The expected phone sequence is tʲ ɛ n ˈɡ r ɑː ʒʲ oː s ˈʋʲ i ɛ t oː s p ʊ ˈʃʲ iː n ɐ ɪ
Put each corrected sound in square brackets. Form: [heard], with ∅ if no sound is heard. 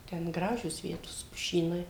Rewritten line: tʲ ɛ n ˈɡ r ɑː ʒʲ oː s ˈʋʲ i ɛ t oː s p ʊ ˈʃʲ iː n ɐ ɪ